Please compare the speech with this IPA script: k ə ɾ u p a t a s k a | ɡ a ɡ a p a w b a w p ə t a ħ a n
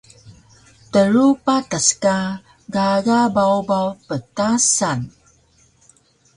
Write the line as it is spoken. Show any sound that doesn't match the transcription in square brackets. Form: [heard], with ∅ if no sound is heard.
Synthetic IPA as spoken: [t] ə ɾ u p a t a s k a | ɡ a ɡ a [b] a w b a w p ə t a [s] a n